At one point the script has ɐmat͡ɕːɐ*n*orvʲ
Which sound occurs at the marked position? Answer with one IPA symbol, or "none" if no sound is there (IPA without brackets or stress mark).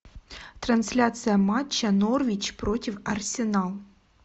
n